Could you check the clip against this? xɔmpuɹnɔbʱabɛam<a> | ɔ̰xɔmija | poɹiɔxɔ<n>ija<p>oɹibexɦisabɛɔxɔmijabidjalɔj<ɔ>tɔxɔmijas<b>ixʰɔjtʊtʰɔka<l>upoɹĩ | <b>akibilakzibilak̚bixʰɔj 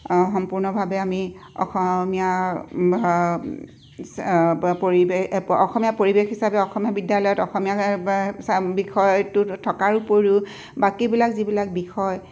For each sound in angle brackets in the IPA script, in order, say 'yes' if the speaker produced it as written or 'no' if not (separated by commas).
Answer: no, no, yes, yes, yes, no, yes